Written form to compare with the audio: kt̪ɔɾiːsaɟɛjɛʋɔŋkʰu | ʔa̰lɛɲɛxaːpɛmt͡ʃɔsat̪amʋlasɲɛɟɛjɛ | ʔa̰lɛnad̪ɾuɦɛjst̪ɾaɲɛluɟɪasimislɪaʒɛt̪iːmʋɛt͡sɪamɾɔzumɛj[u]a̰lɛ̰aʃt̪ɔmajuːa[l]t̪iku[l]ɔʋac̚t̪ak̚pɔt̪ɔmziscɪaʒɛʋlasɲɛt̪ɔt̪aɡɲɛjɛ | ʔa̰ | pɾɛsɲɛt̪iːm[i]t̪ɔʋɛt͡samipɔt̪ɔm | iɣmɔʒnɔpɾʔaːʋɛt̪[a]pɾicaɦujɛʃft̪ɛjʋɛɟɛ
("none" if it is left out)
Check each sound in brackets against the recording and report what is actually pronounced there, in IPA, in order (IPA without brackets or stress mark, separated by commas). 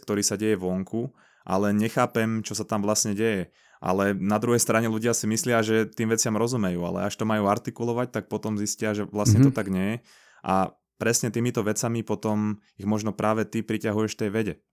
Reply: uː, ɾ, l, i, i